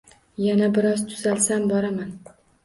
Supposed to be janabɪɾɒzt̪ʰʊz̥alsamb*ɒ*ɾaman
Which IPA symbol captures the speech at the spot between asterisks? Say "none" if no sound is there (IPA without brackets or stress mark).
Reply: ɒ